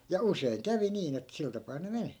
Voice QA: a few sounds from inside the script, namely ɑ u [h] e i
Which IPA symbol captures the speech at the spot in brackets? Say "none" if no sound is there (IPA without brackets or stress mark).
s